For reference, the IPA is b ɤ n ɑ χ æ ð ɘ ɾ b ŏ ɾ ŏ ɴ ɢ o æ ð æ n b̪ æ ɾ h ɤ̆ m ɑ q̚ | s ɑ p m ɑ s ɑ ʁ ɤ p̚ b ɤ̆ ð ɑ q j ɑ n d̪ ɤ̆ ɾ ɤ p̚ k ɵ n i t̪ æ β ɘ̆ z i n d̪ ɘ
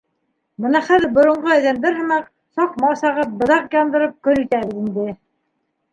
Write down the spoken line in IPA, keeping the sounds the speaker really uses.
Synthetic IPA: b ɤ n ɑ χ æ ð ɘ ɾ b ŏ ɾ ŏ ɴ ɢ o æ ð æ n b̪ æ ɾ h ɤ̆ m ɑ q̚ | s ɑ q m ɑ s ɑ ʁ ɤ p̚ b ɤ̆ ð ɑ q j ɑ n d̪ ɤ̆ ɾ ɤ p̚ k ɵ n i t̪ æ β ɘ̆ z i n d̪ ɘ

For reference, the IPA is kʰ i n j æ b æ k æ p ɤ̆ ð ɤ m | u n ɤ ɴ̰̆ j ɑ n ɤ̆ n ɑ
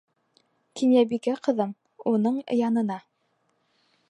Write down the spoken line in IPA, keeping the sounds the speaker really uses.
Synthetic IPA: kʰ i n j æ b i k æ q ɤ̆ ð ɤ m | u n ɤ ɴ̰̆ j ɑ n ɤ̆ n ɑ

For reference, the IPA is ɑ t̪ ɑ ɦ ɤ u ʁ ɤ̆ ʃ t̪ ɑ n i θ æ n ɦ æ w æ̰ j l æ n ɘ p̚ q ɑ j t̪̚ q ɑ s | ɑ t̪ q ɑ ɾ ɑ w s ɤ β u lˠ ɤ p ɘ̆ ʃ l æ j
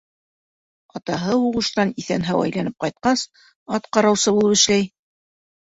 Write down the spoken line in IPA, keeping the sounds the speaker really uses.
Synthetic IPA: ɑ t̪ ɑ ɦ ɤ u ʁ ɤ̆ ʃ t̪ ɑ n i θ æ n ɦ æ w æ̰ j l æ n ɘ p̚ q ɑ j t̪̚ q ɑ s | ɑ t̪ q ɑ ɾ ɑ w s ɤ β u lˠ ɤ p ɘ̆ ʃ l æ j

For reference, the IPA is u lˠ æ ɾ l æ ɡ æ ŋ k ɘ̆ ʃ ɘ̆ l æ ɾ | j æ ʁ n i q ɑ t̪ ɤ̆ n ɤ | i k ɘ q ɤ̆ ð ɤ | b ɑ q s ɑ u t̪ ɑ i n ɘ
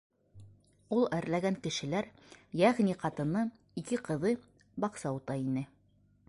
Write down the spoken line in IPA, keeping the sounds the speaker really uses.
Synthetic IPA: u lˠ æ ɾ l æ ɡ æ ŋ k ɘ̆ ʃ ɘ̆ l æ ɾ | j æ ʁ n i q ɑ t̪ ɤ̆ n ɤ | i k ɘ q ɤ̆ ð ɤ | b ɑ q s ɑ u t̪ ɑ i n ɘ

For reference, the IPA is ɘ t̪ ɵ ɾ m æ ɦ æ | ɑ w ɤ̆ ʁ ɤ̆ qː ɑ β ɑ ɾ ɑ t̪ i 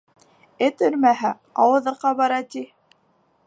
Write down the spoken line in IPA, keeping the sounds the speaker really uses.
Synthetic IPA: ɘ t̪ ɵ ɾ m æ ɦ æ | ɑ w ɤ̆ ð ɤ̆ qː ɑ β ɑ ɾ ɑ t̪ i

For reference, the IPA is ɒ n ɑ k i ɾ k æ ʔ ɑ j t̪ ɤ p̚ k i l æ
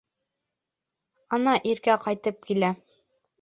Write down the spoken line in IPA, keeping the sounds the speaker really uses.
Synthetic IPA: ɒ n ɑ ʔ i ɾ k æ q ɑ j t̪ ɤ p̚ k i l æ

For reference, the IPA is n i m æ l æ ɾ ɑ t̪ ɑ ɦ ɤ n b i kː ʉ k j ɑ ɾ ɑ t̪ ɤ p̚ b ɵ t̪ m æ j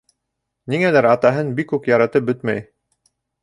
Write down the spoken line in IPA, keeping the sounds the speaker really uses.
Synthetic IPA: n i ŋ æ l æ ɾ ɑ t̪ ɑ ɦ ɤ n b i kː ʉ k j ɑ ɾ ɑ t̪ ɤ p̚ b ɵ t̪ m æ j

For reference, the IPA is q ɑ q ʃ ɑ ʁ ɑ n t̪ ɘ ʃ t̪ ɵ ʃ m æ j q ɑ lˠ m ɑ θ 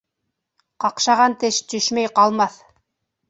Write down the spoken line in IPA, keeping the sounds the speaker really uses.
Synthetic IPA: q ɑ q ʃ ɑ ʁ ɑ n t̪ ɘ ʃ t̪ ɵ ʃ m æ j q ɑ lˠ m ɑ θ

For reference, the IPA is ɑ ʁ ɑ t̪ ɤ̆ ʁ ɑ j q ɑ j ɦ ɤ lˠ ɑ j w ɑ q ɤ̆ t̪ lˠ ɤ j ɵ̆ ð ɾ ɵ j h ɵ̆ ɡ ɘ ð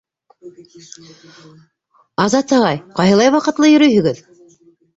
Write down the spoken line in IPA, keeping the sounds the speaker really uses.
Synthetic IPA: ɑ z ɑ t̪ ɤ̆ ʁ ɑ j q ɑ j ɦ ɤ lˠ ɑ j w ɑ q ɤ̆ t̪ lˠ ɤ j ɵ̆ ɾ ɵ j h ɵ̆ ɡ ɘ ð

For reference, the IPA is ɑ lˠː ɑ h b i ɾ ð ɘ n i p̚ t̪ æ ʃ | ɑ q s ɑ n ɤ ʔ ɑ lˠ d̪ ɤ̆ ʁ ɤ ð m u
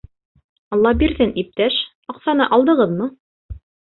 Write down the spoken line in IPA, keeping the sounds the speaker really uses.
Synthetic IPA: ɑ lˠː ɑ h b i ɾ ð ɘ n i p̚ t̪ æ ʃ | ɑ q s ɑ n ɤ ʔ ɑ lˠ d̪ ɤ̆ ʁ ɤ ð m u

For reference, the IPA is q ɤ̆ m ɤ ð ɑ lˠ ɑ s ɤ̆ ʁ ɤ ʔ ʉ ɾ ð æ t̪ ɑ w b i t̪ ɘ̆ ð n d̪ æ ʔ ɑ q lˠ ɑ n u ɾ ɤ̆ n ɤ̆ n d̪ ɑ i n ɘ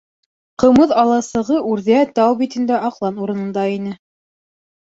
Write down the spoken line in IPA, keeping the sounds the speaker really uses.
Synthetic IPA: q ɤ̆ m ɤ ð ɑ lˠ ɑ s ɤ̆ ʁ ɤ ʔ ʉ ɾ ð æ t̪ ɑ w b i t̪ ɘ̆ n d̪ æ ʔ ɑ q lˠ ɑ n u ɾ ɤ̆ n ɤ̆ n d̪ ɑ i n ɘ

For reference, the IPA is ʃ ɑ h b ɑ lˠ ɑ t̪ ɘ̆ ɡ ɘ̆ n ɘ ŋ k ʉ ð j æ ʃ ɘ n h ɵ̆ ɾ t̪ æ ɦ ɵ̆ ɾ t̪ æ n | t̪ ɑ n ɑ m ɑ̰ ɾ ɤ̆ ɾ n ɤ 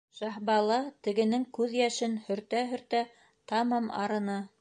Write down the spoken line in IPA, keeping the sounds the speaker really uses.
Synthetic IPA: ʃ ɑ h b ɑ lˠ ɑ t̪ ɘ̆ ɡ ɘ̆ n ɘ ŋ k ʉ ð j æ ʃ ɘ n h ɵ̆ ɾ t̪ æ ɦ ɵ̆ ɾ t̪ æ | t̪ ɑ m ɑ m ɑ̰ ɾ ɤ̆ n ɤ

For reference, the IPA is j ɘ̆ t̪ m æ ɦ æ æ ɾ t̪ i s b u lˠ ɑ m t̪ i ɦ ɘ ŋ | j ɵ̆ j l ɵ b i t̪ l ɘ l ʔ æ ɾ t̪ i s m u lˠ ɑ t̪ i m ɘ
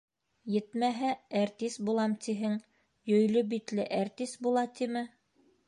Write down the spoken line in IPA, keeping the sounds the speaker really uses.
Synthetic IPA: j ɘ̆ t̪ m æ ɦ æ æ ɾ t̪ i s b u lˠ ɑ m t̪ i ɦ ɘ ŋ | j ɵ̆ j l ɵ b i t̪ l ɘ ʔ æ ɾ t̪ i s b u lˠ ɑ t̪ i m ɘ

